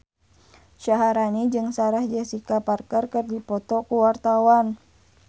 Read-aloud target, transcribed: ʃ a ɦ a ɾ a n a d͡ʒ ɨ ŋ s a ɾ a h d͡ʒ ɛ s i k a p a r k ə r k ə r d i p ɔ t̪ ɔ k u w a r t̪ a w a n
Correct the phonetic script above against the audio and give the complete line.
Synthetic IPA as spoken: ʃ a ɦ a ɾ a n i d͡ʒ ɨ ŋ s a ɾ a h d͡ʒ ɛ s i k a p a r k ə r k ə r d i p ɔ t̪ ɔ k u w a r t̪ a w a n